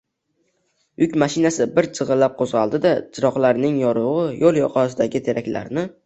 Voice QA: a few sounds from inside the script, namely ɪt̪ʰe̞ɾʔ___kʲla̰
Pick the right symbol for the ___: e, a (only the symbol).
a